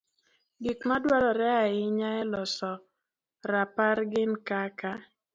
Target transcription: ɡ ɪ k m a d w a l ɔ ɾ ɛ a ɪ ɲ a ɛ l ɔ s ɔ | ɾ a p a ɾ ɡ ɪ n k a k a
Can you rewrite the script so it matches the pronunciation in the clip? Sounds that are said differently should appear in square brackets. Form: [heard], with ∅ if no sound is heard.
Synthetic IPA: ɡ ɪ k m a d w a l ɔ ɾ ɛ a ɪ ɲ a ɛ l ɔ s ɔ | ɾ a p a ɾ ɡ ɪ n k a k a

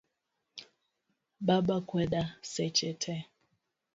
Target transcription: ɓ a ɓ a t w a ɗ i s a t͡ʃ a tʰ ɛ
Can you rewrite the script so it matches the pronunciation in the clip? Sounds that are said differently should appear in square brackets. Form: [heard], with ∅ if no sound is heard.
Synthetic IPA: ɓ a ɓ a [k] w [ɛ] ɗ [a] s [ɛ] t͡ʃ [ɛ] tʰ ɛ

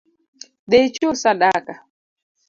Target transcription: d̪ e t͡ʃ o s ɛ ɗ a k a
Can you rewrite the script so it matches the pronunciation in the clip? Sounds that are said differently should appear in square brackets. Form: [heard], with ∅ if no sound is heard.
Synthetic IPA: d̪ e t͡ʃ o s [a] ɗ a k a

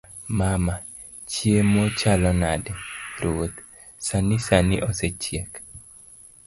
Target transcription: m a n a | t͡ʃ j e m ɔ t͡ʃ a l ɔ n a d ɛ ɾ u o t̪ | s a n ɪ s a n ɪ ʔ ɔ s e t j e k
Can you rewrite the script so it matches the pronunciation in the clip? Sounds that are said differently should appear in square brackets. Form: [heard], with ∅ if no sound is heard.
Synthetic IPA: m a [m] a | t͡ʃ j e m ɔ t͡ʃ a l ɔ n a d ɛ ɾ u o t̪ | s a n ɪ s a n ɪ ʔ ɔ s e [t͡ʃ] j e k

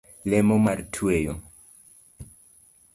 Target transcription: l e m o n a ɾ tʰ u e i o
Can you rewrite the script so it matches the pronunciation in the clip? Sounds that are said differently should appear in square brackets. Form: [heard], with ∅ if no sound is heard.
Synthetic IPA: l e m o [m] a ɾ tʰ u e [j] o

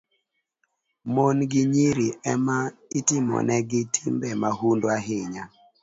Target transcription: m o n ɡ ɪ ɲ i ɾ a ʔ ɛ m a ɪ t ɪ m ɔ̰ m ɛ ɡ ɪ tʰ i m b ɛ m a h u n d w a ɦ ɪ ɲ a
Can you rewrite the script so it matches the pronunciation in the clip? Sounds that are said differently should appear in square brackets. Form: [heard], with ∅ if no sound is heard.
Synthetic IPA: m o n ɡ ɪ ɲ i ɾ [i] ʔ ɛ m a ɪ t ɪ m ɔ̰ [n] ɛ ɡ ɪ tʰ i m b ɛ m a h u n d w a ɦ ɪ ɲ a

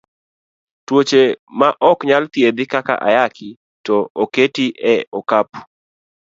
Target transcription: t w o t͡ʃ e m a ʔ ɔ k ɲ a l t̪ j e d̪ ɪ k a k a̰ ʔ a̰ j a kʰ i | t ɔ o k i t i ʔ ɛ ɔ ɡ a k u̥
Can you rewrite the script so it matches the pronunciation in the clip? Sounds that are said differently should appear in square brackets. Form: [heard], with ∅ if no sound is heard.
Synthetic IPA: t w o t͡ʃ e m a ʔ ɔ k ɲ a l t̪ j e d̪ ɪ k a k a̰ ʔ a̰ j a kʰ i | t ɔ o k [e] t i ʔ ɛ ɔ [k] a [p] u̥

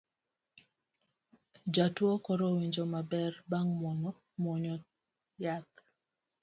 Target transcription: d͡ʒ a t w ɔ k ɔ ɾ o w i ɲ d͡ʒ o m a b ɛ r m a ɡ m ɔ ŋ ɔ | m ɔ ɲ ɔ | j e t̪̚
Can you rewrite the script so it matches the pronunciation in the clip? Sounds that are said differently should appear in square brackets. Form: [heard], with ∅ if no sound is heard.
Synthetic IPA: d͡ʒ a t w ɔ k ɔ ɾ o w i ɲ d͡ʒ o m a b ɛ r [b] a [ŋ] m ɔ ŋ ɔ | m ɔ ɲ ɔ | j [a] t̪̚

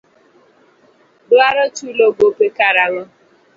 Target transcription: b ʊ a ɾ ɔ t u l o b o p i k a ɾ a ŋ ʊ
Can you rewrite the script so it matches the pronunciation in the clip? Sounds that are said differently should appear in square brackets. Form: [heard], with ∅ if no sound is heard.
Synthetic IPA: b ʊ a ɾ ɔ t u l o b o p [e] k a ɾ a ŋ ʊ

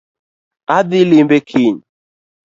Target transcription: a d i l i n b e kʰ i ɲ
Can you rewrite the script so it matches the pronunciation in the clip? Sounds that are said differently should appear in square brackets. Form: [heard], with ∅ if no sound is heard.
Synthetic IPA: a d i l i [m] b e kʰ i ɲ

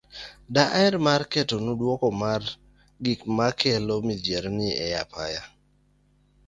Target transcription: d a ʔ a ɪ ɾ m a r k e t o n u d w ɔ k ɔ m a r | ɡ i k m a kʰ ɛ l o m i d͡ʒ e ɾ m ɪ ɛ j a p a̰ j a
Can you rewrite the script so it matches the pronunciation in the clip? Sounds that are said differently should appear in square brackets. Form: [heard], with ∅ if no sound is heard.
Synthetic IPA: d a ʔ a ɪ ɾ m a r k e t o n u d w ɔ k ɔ m a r | ɡ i k m a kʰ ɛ l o m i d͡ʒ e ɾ [n] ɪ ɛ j a p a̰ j a

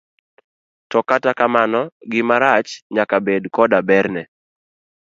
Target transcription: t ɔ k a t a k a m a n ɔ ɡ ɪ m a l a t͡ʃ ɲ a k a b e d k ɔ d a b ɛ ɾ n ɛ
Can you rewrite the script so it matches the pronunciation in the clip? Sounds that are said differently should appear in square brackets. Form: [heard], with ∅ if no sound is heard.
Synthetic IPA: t ɔ k a t a k a m a n ɔ ɡ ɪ m a [ɾ] a t͡ʃ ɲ a k a b e d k ɔ d a b ɛ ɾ n ɛ

